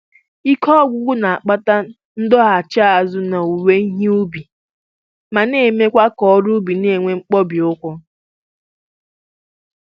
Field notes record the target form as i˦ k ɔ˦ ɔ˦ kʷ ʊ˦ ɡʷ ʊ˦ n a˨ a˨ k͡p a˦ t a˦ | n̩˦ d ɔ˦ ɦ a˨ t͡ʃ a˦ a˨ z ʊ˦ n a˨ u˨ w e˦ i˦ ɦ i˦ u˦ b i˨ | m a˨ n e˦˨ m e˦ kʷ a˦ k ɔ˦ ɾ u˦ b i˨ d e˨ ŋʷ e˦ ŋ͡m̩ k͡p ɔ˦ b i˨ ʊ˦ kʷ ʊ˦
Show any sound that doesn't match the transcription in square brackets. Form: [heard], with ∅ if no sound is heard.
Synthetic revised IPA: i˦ k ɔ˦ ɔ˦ [ɡʷ] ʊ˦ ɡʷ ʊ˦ n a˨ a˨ k͡p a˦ t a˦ | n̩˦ d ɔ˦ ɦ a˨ t͡ʃ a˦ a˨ z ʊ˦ n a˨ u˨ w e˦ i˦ ɦ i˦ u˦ b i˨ | m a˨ n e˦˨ m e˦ kʷ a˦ k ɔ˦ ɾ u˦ b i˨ [n] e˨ ŋʷ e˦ ŋ͡m̩ k͡p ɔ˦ b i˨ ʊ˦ kʷ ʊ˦

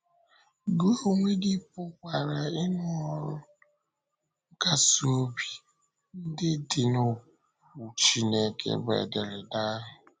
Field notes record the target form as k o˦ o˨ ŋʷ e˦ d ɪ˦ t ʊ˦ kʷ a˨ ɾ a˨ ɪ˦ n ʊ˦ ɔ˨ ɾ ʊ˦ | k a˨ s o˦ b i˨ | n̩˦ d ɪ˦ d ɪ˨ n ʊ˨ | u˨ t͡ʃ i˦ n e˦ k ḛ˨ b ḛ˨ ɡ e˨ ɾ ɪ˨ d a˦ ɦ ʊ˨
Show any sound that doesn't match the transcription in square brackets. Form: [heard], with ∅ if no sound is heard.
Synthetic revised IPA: [ɡ] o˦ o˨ ŋʷ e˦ d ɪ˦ [p] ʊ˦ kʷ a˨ ɾ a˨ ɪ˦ n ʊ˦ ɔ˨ ɾ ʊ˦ | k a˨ s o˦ b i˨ | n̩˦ d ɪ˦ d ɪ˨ n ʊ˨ | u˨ t͡ʃ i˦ n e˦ k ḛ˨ b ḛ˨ [d] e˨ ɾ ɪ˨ d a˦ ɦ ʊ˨

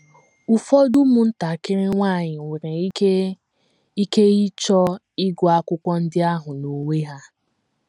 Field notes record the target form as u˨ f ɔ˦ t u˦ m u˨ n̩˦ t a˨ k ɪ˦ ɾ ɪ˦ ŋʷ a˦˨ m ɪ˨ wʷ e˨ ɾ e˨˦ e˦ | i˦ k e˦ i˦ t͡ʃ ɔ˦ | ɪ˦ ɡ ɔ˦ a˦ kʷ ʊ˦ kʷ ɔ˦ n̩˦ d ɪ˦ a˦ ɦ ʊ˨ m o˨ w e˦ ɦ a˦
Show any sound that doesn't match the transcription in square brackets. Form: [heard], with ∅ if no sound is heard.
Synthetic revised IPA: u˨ f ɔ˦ [d] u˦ m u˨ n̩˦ t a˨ k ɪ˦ ɾ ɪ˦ ŋʷ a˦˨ [ɲ] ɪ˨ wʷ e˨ ɾ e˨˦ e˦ | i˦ k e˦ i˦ t͡ʃ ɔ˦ | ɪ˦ ɡ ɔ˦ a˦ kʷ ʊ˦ kʷ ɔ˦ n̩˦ d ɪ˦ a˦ ɦ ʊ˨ [n] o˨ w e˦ ɦ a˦

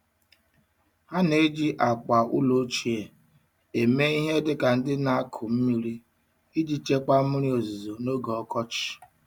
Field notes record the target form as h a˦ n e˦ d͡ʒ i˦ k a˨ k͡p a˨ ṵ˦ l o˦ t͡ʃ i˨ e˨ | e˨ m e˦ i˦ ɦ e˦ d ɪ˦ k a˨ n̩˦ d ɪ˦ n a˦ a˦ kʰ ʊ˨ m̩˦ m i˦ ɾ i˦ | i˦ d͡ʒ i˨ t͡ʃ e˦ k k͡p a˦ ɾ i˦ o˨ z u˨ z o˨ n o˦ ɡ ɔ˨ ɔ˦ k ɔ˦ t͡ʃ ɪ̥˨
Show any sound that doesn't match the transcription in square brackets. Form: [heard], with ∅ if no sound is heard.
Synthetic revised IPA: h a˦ n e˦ d͡ʒ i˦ [ʔ] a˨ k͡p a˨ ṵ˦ l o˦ t͡ʃ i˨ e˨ | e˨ m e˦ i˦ ɦ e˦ d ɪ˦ k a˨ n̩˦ d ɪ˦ n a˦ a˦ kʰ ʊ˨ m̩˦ m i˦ ɾ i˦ | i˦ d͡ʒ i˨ t͡ʃ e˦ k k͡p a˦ ɾ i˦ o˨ z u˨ z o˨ n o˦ ɡ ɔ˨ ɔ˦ k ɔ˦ t͡ʃ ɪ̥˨

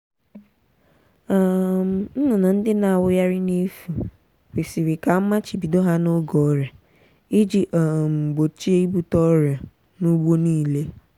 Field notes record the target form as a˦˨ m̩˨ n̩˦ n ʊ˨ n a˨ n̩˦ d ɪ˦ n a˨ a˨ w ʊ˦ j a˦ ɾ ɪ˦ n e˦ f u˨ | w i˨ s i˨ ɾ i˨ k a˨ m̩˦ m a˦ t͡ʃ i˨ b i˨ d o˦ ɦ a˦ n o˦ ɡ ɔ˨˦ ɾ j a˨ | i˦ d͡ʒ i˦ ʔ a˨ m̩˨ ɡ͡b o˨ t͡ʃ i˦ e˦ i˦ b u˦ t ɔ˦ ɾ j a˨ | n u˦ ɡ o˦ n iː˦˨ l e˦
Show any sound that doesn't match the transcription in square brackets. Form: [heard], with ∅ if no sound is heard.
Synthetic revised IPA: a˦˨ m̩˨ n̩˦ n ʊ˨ n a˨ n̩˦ d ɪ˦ n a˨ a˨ w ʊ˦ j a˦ ɾ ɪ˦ n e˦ f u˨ | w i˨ s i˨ ɾ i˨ k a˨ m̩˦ m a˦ t͡ʃ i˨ b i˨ d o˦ ɦ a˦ n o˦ ɡ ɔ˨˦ ɾ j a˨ | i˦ d͡ʒ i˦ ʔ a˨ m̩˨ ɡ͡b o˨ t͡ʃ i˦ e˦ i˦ b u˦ t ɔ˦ ɾ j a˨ | n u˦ [ɡ͡b] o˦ n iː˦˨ l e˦

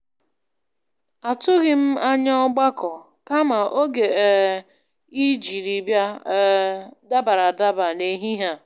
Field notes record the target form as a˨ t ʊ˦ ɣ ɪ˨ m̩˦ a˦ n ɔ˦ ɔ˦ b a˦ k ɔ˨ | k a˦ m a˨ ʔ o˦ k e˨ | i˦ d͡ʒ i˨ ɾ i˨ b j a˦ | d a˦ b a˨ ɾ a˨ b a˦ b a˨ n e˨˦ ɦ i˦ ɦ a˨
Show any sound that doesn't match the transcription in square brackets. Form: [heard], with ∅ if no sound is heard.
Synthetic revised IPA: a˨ t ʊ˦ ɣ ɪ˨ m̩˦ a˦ [ɲ] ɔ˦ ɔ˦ [ɡ͡b] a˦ k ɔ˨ | k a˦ m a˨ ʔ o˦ [ɡ] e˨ | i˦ d͡ʒ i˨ ɾ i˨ b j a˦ | d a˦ b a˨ ɾ a˨ [d] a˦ b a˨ n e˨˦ ɦ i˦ ɦ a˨

